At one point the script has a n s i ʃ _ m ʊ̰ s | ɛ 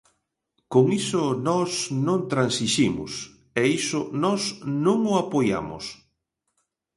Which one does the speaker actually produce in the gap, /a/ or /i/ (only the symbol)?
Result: i